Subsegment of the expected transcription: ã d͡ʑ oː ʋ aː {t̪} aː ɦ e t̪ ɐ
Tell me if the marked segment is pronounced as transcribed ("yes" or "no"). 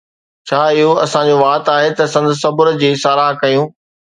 yes